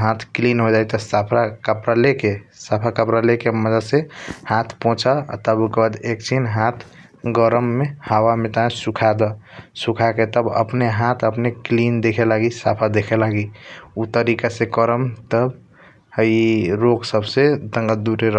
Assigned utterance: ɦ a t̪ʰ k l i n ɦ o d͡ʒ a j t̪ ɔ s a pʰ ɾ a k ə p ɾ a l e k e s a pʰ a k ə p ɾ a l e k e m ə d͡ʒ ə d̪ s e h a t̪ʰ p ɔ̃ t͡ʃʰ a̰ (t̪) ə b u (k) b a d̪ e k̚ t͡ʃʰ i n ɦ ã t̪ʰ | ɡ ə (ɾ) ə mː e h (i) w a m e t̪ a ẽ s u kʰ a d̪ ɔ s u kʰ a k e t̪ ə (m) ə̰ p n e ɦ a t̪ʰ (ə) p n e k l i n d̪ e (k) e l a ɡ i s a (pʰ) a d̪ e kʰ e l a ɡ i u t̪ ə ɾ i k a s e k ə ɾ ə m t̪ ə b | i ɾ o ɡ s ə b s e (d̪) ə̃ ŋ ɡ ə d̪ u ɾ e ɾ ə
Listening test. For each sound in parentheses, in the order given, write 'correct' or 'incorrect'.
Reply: correct, correct, correct, incorrect: a, incorrect: b, correct, incorrect: kʰ, correct, correct

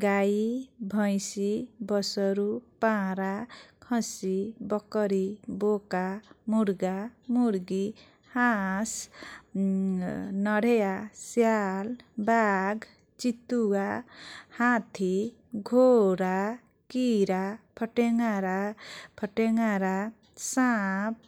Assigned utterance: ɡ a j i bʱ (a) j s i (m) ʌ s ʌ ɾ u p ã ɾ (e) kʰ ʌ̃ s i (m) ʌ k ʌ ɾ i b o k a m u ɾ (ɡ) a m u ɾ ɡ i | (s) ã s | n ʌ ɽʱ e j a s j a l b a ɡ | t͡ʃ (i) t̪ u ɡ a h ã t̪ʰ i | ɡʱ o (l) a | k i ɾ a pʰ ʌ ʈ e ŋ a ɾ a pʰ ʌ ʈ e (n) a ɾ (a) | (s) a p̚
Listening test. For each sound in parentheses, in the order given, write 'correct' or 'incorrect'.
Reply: incorrect: ʌ, incorrect: b, incorrect: a, incorrect: b, correct, incorrect: h, correct, incorrect: ɾ, incorrect: ŋ, correct, correct

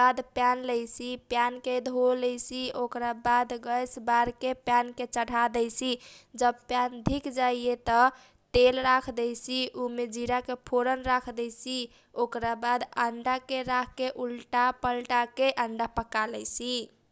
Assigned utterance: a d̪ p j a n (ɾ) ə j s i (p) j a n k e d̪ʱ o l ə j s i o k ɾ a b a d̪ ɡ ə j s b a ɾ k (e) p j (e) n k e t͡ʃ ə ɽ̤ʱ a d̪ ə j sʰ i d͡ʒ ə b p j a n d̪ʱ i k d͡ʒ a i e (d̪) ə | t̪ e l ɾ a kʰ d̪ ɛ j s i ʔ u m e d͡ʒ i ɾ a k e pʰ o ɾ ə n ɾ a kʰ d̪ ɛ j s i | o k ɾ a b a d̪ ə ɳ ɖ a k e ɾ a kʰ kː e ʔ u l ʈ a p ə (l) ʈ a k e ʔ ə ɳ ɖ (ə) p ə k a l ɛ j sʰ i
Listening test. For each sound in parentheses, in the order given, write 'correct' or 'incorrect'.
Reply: incorrect: l, correct, correct, incorrect: a, incorrect: t̪, correct, incorrect: a

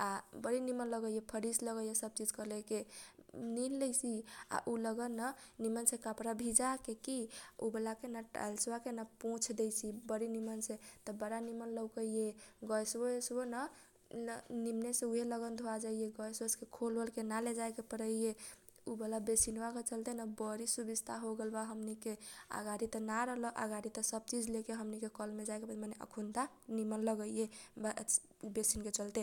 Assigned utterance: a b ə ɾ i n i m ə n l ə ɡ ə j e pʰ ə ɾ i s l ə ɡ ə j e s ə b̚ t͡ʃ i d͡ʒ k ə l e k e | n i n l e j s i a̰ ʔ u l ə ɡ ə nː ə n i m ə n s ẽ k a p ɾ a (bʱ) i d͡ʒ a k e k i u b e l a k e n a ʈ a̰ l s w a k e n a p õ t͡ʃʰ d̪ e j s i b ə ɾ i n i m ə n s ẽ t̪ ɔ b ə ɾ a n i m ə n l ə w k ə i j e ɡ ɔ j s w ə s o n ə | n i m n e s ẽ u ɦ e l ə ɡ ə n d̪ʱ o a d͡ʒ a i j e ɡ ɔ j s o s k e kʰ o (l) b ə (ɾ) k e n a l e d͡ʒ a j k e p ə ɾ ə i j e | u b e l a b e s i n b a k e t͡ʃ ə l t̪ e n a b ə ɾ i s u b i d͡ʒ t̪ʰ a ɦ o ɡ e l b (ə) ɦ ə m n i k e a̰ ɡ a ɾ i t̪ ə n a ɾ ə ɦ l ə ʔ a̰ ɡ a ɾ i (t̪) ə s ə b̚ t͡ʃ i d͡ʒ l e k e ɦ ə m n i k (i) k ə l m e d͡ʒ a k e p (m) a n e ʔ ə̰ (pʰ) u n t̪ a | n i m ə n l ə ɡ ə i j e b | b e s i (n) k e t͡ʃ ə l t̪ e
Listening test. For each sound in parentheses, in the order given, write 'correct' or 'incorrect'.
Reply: correct, correct, incorrect: l, incorrect: a, correct, incorrect: e, correct, incorrect: kʰ, correct

